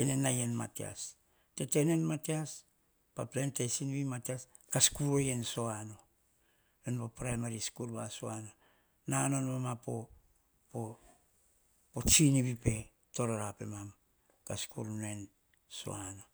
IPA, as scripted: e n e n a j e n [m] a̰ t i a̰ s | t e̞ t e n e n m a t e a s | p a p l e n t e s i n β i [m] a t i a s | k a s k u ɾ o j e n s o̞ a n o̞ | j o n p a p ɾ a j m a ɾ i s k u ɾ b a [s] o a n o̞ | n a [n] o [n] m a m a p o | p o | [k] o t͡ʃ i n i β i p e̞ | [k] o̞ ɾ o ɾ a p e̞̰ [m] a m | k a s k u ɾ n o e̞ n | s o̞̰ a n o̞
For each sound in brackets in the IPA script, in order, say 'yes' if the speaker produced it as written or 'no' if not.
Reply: yes, yes, yes, yes, yes, no, no, yes

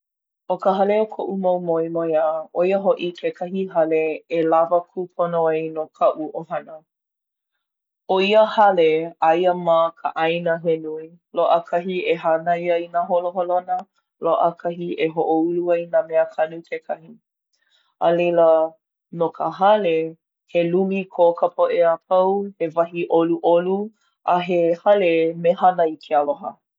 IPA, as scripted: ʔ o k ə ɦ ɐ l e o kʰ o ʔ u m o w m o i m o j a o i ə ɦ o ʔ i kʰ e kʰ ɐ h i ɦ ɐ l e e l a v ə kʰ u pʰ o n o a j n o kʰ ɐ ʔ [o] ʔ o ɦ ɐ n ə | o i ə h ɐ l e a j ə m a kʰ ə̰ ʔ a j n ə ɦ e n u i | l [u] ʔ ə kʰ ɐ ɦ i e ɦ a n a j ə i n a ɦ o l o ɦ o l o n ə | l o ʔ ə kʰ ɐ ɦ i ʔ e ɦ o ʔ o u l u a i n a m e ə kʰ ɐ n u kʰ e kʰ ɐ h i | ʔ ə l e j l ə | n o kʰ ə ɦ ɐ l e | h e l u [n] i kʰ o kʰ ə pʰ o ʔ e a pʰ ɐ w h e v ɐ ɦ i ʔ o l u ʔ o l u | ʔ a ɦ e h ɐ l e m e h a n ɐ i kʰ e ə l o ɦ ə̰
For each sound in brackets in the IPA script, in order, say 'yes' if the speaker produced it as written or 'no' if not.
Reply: no, no, no

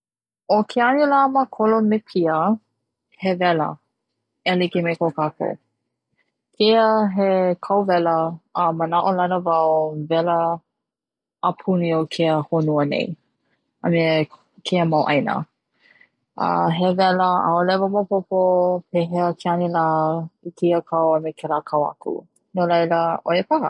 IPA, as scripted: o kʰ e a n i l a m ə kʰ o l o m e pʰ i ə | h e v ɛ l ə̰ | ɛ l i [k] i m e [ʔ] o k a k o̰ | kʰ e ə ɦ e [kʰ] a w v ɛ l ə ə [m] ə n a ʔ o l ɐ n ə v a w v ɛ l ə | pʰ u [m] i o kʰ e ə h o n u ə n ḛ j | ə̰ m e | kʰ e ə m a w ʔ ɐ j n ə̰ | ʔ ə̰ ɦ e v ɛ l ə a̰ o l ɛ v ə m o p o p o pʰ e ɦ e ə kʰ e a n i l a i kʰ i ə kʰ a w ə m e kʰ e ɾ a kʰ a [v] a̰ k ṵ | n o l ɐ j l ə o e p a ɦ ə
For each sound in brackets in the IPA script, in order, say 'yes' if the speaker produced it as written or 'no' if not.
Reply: yes, no, yes, yes, no, no

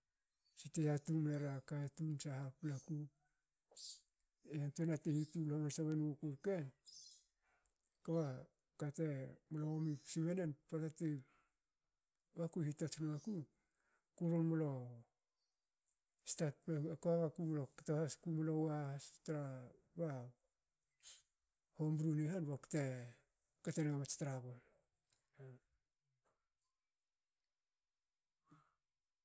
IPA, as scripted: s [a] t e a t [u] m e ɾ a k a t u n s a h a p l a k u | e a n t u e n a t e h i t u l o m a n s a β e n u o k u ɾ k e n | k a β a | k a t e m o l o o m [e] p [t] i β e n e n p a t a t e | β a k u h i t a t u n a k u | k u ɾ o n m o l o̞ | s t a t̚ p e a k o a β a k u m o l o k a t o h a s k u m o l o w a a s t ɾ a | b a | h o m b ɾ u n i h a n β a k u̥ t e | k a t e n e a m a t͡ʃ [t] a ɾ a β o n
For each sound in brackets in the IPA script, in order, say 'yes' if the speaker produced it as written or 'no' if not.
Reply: no, yes, no, no, yes

